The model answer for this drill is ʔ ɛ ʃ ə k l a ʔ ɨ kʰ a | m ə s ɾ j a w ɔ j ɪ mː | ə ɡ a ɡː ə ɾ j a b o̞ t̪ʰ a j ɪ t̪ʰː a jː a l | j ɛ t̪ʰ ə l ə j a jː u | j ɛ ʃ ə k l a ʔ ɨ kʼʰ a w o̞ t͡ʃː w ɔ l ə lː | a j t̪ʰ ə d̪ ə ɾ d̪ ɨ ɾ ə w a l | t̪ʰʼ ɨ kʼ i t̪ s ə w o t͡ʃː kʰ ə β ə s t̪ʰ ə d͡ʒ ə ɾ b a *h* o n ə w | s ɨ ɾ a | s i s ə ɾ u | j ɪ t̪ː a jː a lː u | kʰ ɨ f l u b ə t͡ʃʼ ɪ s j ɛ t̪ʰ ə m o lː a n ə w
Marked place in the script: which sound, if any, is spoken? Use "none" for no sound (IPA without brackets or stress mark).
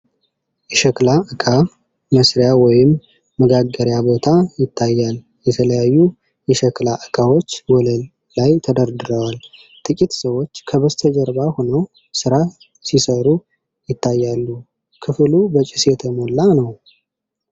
h